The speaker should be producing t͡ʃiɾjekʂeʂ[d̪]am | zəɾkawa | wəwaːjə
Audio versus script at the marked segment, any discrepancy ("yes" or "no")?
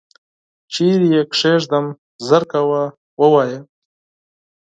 no